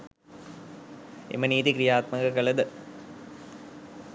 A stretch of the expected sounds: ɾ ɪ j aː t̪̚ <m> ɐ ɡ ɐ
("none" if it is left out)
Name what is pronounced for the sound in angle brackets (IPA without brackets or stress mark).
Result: m